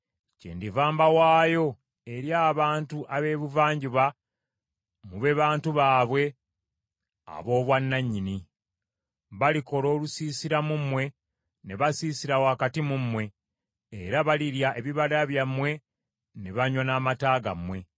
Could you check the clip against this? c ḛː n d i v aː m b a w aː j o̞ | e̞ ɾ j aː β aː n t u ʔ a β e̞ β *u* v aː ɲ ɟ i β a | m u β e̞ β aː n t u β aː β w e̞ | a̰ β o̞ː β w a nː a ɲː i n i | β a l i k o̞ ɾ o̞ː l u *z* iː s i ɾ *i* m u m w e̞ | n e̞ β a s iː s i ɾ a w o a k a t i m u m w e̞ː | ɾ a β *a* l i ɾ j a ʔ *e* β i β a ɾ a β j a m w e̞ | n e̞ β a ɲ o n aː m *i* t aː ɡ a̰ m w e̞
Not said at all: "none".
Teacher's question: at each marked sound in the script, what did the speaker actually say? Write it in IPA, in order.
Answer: u, s, a, a, e, a

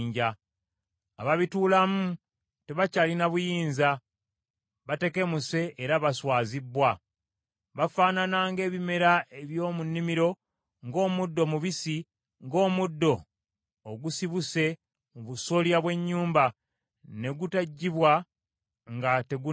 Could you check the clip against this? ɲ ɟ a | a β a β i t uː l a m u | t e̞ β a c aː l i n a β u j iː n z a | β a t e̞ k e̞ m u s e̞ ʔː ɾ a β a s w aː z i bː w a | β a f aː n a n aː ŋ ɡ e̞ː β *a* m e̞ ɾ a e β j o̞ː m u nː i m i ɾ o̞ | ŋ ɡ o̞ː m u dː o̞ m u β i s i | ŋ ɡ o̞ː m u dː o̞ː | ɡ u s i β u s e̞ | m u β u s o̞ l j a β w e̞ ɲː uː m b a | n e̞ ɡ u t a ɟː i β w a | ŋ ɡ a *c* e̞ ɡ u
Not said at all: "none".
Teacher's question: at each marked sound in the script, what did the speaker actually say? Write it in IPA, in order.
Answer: i, t

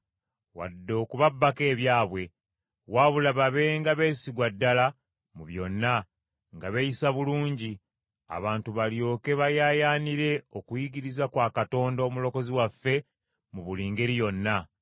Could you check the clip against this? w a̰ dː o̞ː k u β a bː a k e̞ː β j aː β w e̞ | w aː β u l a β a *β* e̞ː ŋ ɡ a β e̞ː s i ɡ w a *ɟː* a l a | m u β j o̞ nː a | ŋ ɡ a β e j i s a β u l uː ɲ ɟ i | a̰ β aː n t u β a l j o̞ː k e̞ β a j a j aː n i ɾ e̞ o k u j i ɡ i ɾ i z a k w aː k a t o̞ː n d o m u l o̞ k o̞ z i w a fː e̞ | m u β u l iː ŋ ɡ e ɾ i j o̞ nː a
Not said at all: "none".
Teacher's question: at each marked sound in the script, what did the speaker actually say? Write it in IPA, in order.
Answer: β, dː

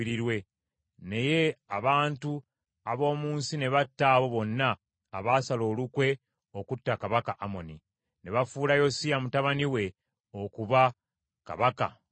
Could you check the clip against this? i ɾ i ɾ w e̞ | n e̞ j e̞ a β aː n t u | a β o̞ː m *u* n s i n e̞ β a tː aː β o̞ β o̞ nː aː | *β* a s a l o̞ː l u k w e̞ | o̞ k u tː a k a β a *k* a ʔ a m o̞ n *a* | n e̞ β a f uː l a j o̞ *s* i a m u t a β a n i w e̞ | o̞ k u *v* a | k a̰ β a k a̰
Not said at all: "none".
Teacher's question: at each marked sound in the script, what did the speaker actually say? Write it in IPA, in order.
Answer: uː, β, k, i, s, β

